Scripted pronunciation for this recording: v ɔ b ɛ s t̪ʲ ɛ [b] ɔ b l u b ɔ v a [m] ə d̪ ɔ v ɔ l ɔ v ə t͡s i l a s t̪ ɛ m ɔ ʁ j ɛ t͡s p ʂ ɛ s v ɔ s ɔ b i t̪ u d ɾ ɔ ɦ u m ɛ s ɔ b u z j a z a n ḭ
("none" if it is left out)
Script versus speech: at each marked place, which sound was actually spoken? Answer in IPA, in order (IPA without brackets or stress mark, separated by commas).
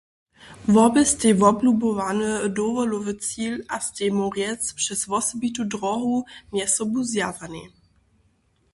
v, n